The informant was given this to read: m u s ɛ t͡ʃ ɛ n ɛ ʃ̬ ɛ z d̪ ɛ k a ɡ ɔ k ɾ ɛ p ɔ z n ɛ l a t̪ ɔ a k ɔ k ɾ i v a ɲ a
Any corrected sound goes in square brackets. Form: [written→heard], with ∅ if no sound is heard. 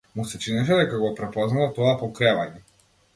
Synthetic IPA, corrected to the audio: m u s ɛ t͡ʃ [ɛ→i] n ɛ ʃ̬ ɛ [z→∅] d̪ ɛ k a ɡ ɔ [k→p] ɾ ɛ p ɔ z n [ɛ→a] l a t̪ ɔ a [k→p] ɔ k ɾ [i→ɛ] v a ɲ [a→ɛ]